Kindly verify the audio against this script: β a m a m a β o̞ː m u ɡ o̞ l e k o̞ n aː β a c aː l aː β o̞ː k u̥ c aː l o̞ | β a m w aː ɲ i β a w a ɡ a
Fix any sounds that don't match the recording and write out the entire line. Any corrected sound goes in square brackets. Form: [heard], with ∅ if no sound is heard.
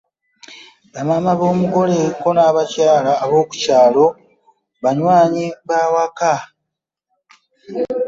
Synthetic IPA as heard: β a m a m a β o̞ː m u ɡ o̞ l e k o̞ n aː β a c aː l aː β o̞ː k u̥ c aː l o̞ | β a [ɲ] w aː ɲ i β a w a [k] a